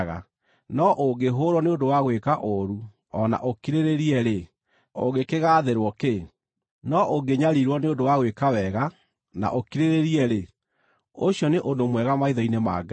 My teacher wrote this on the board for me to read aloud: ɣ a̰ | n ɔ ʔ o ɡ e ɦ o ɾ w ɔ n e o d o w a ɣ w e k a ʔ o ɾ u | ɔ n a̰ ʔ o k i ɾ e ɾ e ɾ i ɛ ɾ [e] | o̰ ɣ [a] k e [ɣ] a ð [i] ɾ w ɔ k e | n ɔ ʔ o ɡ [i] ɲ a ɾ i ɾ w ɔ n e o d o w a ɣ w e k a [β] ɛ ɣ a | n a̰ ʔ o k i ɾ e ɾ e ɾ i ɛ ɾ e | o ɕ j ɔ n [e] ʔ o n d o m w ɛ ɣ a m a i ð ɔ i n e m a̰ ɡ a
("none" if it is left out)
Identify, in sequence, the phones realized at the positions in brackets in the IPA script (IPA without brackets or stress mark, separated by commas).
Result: e, e, ɣ, e, e, w, e